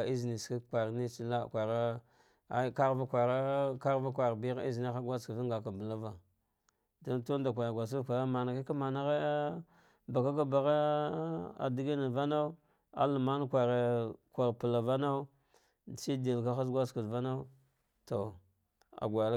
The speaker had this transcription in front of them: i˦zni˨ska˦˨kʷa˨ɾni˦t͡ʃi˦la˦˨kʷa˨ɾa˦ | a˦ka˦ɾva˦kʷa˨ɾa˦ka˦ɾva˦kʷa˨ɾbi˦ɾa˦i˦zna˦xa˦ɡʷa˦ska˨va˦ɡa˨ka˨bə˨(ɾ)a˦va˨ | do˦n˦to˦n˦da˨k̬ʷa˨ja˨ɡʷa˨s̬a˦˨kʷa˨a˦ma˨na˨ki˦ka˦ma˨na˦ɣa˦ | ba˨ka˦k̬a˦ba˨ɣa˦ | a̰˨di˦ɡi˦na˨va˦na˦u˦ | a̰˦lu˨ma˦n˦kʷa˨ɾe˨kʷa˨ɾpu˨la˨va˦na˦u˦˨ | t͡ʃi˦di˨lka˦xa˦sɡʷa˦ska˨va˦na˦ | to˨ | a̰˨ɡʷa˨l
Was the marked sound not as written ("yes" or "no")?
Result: yes